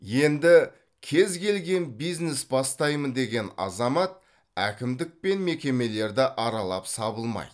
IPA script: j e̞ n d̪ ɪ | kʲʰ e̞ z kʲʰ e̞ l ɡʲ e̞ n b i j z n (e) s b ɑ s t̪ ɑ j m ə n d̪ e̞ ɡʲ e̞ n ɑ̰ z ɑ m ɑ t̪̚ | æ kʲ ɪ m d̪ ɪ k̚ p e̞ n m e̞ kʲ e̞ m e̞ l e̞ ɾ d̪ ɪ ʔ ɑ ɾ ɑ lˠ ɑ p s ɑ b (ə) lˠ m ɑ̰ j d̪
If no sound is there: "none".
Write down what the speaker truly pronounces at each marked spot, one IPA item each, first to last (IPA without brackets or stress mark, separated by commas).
e, ə